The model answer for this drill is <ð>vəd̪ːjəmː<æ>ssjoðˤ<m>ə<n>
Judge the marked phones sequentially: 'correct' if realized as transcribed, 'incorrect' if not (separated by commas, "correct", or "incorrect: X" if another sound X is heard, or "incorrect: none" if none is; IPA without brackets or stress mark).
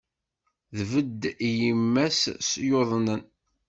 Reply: correct, correct, incorrect: n, correct